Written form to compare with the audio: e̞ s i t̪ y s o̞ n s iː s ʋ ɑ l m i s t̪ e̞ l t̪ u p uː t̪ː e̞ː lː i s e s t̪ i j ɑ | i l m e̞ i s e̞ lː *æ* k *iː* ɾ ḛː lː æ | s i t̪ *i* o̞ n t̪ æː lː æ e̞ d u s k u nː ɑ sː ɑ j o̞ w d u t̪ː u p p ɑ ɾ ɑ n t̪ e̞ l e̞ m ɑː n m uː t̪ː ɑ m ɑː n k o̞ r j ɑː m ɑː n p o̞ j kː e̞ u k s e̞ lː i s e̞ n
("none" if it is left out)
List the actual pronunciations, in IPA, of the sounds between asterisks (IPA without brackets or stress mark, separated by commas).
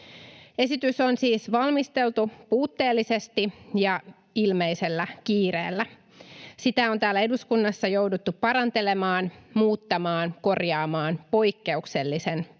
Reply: æ, iː, æ